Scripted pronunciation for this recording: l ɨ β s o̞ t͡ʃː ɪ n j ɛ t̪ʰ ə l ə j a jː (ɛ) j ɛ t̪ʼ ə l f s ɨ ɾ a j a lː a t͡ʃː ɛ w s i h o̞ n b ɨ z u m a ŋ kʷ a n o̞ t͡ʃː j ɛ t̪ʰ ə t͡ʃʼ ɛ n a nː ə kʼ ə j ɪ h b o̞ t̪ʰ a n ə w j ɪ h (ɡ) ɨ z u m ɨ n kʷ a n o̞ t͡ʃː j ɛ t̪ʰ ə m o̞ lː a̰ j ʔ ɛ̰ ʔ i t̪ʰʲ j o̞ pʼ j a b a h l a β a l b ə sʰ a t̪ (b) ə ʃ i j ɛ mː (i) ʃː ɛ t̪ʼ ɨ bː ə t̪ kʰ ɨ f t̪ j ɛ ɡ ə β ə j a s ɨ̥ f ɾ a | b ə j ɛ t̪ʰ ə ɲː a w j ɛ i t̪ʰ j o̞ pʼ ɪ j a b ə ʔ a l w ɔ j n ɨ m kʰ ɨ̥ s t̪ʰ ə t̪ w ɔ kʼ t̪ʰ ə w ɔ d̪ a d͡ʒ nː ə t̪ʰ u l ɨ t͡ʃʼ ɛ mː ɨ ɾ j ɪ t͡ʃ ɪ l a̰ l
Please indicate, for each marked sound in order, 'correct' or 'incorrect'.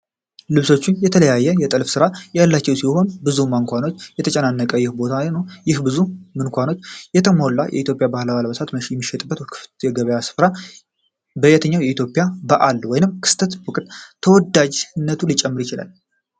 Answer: correct, incorrect, incorrect, correct

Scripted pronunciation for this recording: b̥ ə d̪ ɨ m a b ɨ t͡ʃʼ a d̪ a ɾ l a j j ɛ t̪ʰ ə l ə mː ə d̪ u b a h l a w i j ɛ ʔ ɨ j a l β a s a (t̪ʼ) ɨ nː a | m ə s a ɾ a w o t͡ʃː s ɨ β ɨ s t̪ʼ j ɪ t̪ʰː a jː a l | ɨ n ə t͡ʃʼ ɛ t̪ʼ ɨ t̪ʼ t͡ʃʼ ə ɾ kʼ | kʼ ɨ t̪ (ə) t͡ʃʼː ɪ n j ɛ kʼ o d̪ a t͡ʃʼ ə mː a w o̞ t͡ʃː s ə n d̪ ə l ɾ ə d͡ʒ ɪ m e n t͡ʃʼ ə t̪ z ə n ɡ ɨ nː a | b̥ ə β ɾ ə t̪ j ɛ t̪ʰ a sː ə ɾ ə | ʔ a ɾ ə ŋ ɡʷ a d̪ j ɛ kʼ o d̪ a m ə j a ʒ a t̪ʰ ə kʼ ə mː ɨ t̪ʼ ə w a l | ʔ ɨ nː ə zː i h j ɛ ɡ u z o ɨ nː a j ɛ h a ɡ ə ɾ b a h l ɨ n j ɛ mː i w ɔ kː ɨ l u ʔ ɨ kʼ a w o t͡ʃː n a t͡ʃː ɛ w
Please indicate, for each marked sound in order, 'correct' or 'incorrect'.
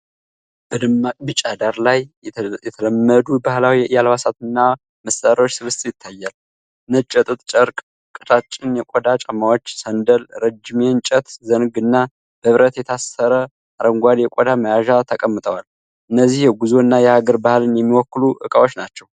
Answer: incorrect, incorrect

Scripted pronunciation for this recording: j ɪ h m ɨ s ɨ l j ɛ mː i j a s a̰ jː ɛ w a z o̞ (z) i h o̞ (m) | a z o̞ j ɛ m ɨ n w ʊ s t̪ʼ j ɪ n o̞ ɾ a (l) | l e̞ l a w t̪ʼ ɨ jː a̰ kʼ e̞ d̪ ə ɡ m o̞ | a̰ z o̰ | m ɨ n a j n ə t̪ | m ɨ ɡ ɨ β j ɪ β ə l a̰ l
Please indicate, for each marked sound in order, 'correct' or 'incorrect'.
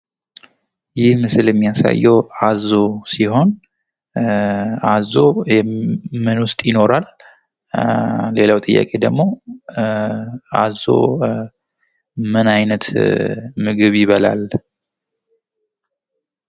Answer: incorrect, incorrect, correct

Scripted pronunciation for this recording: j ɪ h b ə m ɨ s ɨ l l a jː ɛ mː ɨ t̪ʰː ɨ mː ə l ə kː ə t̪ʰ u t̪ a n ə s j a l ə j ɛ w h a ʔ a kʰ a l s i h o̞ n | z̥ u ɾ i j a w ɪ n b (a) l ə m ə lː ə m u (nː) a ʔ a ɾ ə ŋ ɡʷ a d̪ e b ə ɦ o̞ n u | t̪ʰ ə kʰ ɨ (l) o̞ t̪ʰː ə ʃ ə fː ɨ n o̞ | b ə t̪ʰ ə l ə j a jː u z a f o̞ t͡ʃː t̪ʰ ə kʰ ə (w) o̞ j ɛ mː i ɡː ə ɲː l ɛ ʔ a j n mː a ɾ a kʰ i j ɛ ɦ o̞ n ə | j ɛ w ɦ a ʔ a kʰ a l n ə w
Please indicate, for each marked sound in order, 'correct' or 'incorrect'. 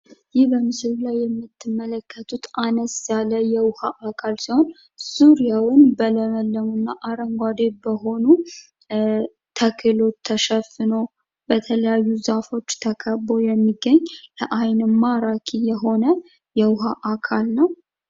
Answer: incorrect, correct, correct, incorrect

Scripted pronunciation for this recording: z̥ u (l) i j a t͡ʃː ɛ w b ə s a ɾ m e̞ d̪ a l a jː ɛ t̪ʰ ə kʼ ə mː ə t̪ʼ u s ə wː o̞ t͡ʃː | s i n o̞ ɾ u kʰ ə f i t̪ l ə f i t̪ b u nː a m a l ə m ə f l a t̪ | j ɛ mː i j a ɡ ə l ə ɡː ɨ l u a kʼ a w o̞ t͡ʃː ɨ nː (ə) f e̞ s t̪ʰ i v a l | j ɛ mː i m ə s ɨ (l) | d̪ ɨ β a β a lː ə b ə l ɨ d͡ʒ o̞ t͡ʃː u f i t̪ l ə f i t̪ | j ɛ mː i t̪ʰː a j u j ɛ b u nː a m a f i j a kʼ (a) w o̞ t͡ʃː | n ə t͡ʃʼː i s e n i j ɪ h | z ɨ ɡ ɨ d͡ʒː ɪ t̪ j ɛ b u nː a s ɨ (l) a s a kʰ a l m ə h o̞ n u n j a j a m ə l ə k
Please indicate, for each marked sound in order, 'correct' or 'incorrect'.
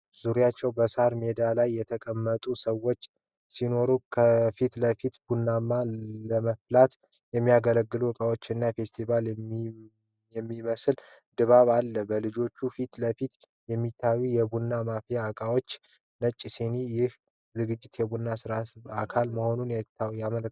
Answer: incorrect, incorrect, correct, correct, incorrect

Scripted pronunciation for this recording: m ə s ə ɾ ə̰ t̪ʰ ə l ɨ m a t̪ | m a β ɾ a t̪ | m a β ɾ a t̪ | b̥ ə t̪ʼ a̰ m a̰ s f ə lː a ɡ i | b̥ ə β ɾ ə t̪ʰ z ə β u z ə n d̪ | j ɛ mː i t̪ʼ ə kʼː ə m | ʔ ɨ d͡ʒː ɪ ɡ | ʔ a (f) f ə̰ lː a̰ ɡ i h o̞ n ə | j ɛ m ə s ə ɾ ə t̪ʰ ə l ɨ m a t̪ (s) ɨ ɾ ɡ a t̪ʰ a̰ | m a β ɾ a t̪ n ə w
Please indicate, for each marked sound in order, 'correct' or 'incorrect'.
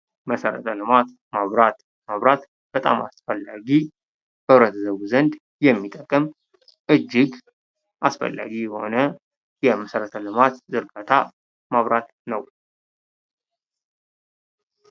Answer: incorrect, incorrect

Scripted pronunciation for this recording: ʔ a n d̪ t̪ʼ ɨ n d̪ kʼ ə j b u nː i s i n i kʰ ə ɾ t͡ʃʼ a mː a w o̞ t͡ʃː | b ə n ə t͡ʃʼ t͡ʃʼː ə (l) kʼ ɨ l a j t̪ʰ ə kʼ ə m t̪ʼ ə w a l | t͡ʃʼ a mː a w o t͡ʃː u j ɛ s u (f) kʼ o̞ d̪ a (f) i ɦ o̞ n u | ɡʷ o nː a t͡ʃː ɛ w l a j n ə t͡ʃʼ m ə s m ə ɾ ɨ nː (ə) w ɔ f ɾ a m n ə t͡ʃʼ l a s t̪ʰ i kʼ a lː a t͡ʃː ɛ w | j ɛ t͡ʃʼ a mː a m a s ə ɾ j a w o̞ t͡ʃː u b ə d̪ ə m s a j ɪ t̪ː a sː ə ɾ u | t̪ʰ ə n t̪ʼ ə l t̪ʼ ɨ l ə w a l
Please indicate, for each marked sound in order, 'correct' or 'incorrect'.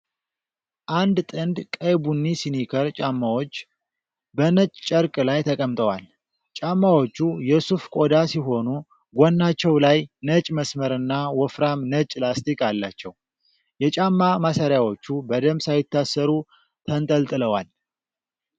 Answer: incorrect, correct, incorrect, incorrect

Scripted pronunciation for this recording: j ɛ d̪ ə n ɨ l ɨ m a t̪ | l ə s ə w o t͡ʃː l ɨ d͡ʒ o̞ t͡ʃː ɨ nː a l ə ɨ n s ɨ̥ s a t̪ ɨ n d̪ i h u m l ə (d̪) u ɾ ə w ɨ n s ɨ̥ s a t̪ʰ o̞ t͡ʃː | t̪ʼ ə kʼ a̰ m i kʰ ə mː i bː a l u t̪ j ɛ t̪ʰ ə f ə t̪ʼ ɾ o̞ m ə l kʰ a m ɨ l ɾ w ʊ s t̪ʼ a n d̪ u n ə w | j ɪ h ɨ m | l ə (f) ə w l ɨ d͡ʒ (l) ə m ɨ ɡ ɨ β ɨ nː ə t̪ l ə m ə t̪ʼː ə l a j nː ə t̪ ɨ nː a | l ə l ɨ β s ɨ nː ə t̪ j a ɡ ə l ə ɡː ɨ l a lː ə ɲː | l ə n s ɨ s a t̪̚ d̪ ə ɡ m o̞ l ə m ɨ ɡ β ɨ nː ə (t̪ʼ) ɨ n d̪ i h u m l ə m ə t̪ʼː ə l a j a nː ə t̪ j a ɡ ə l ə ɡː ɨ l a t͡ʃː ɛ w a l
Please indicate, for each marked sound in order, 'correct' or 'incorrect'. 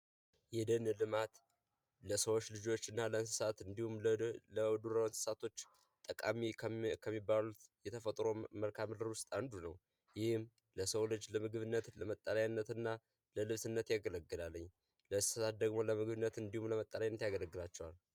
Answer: correct, incorrect, correct, incorrect

